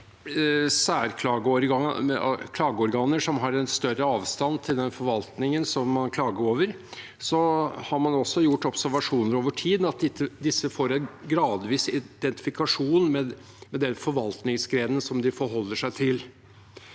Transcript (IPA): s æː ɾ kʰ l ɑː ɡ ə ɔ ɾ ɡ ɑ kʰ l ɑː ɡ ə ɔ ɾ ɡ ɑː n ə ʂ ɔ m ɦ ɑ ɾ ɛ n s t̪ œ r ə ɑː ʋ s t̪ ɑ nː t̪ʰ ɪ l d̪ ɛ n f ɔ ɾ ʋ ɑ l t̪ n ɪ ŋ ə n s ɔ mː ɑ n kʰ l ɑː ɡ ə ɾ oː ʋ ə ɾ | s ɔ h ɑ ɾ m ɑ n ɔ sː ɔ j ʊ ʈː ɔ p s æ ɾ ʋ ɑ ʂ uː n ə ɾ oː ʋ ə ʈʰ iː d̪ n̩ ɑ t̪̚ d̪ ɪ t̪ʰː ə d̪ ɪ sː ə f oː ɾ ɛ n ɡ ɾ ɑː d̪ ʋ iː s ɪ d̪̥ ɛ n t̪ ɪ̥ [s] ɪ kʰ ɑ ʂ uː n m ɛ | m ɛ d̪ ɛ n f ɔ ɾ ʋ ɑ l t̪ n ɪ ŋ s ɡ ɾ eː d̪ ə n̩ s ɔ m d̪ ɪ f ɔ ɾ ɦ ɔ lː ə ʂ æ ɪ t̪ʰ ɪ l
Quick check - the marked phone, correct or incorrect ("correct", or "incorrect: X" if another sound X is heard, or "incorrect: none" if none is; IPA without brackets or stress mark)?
incorrect: f